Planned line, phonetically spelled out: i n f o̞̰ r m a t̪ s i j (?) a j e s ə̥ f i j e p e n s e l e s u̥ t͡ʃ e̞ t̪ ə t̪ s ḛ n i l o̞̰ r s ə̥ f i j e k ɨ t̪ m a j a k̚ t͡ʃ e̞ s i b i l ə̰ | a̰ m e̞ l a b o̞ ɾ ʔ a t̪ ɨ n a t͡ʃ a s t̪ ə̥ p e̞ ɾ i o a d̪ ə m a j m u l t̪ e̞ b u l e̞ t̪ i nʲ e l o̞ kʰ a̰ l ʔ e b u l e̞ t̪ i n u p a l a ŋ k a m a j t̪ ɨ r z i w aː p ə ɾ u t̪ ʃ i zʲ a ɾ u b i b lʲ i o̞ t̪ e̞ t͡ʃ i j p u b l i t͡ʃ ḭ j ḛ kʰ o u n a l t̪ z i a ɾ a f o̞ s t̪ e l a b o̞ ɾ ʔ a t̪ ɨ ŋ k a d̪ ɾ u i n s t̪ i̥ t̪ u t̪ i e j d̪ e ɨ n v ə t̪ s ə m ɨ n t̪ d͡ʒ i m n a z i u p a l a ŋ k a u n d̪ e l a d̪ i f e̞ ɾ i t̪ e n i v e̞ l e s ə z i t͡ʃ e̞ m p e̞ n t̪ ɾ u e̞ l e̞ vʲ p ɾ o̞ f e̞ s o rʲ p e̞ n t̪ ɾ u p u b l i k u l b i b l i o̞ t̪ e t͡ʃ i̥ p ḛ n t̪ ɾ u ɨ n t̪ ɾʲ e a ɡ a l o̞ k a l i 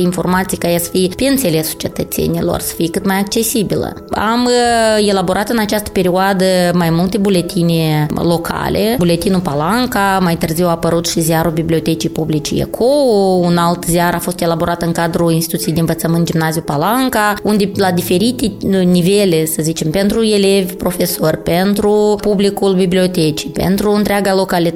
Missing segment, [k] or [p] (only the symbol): k